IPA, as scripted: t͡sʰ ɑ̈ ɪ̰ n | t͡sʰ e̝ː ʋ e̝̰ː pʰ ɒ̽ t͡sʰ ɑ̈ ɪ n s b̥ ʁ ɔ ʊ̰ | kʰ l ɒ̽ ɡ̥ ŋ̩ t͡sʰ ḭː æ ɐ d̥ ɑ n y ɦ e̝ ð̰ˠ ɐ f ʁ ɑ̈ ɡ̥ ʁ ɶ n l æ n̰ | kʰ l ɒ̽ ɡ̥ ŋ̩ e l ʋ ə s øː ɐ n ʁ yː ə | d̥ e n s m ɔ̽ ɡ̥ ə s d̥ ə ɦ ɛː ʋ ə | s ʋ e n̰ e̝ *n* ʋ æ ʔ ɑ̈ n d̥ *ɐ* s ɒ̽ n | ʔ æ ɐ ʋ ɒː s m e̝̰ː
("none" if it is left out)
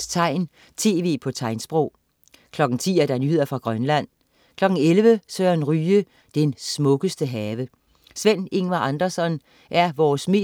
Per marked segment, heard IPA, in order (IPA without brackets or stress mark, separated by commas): ŋ, ɐ